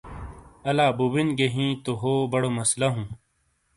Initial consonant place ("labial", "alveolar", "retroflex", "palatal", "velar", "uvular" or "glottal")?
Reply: alveolar